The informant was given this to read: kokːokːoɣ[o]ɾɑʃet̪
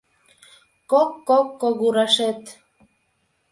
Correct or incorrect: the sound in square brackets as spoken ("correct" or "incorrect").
incorrect